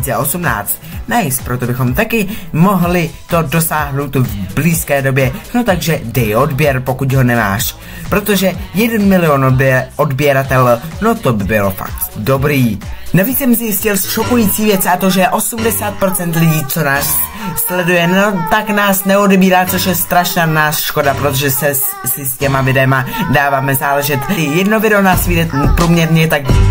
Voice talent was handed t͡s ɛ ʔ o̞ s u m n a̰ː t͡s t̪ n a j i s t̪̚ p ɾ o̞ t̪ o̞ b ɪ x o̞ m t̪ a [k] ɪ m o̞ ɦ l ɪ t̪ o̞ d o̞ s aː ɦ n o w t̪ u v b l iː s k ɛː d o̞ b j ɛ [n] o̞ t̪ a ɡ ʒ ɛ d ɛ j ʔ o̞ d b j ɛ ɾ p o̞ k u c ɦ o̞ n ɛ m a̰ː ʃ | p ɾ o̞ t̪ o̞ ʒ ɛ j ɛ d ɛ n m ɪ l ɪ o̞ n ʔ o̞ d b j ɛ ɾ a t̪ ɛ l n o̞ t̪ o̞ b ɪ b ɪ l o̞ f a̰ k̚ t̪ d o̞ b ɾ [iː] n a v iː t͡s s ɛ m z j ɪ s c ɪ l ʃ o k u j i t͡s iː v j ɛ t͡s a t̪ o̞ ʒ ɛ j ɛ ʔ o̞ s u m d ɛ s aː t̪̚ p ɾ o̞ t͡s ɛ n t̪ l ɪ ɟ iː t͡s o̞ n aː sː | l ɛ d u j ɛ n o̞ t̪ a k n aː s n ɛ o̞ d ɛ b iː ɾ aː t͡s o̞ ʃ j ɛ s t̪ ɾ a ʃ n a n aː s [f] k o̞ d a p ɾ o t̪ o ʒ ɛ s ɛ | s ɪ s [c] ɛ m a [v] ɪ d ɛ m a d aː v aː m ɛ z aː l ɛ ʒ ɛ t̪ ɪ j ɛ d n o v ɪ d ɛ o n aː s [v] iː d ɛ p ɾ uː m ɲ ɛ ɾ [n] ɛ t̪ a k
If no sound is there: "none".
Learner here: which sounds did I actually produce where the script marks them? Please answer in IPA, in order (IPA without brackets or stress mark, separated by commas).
k, n, iː, ʃ, c, v, v, ɲ